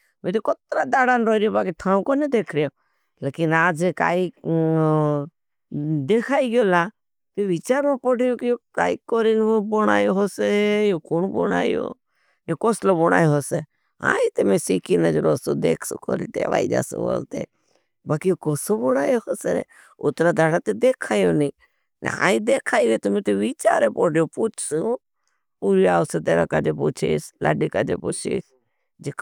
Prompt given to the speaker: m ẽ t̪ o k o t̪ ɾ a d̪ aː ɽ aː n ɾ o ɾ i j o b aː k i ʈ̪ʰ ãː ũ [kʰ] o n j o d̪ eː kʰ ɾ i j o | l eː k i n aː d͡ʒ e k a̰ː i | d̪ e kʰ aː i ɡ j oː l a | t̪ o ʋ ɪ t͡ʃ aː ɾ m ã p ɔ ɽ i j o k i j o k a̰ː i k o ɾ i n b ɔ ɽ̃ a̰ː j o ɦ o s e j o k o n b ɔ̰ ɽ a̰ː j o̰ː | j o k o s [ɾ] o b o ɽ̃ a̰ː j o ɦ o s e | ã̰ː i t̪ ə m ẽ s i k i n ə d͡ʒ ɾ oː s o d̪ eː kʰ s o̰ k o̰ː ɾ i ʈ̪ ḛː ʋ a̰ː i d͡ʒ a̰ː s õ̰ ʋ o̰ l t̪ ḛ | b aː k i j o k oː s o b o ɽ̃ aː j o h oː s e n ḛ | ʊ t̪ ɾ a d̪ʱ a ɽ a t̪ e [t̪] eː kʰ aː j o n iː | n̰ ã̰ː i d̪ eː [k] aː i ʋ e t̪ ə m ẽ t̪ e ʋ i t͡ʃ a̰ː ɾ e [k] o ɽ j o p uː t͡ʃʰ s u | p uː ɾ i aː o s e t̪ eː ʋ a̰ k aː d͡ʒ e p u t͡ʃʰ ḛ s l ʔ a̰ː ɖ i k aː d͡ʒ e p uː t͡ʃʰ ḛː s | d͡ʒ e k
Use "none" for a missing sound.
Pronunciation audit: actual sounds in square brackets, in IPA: k, l, d̪, kʰ, p

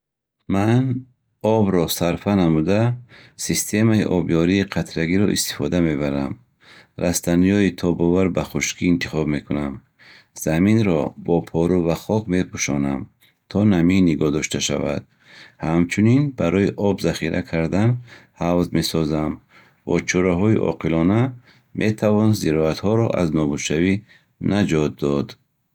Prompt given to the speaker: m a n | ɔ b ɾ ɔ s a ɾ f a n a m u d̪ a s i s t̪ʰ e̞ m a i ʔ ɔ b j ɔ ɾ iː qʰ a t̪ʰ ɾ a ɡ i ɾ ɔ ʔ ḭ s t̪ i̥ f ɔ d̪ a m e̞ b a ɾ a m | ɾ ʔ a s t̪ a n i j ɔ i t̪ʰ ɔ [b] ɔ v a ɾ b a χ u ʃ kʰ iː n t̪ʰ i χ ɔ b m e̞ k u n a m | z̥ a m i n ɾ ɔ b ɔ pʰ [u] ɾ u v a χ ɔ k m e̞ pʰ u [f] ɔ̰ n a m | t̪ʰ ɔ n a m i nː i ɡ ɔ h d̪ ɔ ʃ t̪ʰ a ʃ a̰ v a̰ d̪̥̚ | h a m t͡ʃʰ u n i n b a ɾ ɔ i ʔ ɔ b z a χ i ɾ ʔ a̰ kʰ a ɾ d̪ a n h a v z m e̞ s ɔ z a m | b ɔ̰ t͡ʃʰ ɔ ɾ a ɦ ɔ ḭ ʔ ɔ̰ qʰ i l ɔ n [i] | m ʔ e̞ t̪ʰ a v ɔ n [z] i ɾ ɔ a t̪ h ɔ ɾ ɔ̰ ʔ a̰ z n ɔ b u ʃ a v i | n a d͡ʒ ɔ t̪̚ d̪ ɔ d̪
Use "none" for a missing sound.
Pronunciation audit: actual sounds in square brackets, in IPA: b, ɔ, ʃ, a, z

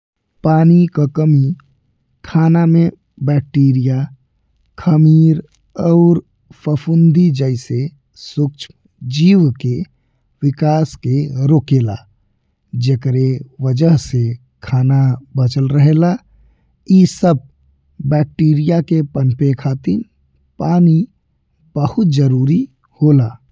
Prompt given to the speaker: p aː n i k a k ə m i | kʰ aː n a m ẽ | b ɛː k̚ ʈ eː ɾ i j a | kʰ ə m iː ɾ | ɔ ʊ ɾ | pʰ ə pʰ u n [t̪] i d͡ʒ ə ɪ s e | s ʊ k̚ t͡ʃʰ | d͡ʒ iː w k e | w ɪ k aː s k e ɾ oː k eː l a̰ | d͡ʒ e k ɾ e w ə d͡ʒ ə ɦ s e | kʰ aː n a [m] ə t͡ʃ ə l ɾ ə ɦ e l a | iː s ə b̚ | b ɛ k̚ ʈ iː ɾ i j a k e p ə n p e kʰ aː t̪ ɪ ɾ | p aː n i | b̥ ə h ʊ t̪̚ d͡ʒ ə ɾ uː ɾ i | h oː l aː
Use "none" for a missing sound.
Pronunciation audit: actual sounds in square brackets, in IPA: d̪, b

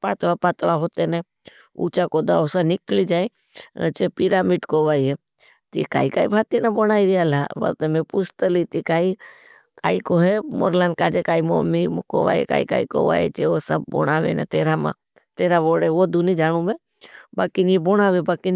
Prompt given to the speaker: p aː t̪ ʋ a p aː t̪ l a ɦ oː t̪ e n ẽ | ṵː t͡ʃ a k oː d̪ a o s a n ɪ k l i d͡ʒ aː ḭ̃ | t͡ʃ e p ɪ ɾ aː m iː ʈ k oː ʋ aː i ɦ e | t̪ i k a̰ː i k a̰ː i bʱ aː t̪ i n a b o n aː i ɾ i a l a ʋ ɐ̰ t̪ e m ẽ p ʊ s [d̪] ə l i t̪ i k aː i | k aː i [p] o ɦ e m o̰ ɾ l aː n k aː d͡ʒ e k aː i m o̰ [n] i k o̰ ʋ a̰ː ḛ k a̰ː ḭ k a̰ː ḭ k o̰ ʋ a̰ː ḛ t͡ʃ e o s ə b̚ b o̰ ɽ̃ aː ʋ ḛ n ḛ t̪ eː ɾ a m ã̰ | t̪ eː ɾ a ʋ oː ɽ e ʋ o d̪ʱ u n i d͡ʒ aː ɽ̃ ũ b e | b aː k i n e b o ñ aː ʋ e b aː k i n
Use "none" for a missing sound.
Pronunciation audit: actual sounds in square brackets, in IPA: t̪, k, m

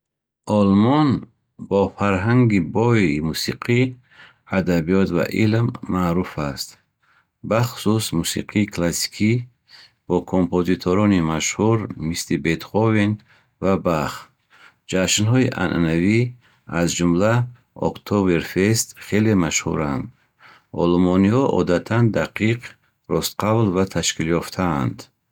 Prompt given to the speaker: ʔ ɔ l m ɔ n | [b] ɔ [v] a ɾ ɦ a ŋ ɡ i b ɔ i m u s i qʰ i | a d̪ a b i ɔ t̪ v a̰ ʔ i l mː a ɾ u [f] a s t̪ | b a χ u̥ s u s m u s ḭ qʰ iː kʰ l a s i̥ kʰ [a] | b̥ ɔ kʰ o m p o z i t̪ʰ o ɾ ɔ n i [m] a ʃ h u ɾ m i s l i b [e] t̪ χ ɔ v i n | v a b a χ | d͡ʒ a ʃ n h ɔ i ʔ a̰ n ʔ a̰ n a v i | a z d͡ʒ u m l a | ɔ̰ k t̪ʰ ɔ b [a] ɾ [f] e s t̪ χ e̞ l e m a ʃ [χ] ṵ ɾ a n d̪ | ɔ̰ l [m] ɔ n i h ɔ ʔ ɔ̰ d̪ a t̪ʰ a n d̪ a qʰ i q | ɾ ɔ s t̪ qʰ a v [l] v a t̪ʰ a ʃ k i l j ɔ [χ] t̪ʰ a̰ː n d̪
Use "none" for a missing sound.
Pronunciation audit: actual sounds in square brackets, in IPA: b, f, f, i, m, e, e, f, h, m, l, f

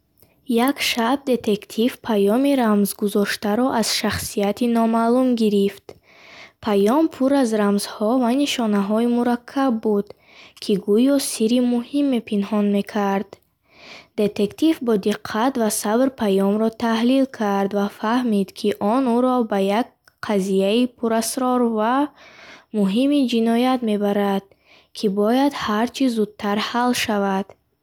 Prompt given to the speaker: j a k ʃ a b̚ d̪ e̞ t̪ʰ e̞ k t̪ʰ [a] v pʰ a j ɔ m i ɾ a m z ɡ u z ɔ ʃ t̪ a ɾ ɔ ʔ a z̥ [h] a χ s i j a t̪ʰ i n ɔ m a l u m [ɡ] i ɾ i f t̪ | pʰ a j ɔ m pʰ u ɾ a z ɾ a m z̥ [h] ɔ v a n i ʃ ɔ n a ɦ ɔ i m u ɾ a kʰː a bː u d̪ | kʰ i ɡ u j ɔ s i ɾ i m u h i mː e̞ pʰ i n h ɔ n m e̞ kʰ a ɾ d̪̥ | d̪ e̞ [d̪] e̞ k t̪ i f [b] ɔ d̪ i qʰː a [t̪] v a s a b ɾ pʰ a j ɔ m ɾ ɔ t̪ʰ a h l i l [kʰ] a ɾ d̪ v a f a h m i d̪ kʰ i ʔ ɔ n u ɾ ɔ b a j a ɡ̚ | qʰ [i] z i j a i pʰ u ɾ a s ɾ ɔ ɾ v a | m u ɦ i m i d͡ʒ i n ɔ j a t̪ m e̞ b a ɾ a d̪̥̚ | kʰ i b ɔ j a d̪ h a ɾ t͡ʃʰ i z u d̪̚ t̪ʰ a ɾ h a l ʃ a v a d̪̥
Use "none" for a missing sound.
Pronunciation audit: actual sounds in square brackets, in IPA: i, ʃ, ɡ, h, t̪, b, t̪, kʰ, a

